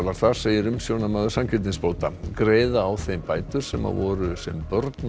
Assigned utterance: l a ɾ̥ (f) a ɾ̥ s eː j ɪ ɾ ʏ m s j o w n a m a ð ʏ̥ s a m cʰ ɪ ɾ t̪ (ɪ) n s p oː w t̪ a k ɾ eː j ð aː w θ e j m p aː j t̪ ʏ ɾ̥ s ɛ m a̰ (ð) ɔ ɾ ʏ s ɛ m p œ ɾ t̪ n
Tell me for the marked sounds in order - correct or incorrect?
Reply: incorrect, correct, incorrect

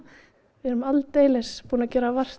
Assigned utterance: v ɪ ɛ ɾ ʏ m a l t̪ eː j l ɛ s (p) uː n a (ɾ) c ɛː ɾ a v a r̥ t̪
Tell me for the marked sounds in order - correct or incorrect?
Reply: correct, incorrect

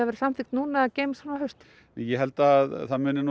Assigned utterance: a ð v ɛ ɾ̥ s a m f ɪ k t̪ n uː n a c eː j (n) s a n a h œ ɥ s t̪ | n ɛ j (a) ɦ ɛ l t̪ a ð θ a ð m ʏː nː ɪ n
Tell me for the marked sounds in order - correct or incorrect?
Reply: incorrect, incorrect

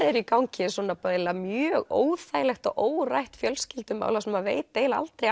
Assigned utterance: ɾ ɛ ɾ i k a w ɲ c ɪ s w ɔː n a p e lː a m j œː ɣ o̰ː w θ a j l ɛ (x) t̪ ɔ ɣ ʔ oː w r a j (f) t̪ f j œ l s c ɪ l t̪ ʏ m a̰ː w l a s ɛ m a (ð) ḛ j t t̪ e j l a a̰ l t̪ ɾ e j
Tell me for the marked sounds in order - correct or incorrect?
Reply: correct, incorrect, incorrect

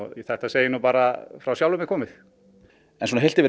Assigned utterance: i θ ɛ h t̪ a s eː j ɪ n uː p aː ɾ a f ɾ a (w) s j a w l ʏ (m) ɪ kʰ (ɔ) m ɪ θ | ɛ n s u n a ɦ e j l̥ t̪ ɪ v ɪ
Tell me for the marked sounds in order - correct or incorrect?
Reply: correct, correct, incorrect

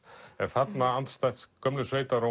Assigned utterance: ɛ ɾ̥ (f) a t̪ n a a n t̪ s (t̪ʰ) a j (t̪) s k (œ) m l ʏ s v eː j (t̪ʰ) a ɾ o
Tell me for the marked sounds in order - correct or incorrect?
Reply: incorrect, incorrect, correct, correct, incorrect

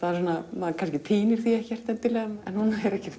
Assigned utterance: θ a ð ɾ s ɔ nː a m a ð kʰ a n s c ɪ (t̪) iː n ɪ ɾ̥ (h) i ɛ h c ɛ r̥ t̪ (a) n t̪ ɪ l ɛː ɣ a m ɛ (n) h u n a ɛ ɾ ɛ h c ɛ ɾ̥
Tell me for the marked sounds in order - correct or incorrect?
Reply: incorrect, incorrect, incorrect, correct

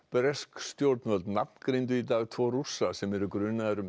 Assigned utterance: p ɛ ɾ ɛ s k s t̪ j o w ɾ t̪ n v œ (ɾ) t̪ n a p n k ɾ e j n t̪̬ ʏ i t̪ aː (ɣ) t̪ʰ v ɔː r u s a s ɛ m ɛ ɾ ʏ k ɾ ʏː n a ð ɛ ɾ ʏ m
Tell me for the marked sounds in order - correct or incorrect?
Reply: incorrect, correct

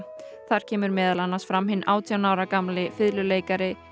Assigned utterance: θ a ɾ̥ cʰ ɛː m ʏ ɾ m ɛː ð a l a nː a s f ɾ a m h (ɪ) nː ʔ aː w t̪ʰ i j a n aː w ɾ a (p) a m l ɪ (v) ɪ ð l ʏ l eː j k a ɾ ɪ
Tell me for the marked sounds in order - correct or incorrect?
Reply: correct, incorrect, incorrect

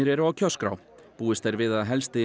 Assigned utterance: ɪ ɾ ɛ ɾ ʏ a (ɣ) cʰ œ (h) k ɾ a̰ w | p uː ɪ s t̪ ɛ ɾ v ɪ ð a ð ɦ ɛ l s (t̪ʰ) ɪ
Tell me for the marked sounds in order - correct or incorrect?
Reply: incorrect, incorrect, incorrect

